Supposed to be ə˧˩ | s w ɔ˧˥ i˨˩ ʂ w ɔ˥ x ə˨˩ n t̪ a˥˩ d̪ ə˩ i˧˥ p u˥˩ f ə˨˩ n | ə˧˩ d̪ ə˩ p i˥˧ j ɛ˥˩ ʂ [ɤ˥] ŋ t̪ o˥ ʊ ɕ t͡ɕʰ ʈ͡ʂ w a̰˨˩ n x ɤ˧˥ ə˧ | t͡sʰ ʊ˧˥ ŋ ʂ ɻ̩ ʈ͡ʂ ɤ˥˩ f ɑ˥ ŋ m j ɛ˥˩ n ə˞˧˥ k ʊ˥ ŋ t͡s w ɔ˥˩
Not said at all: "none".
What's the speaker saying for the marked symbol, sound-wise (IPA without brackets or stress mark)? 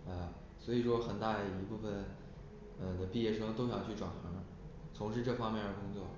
ɤ˥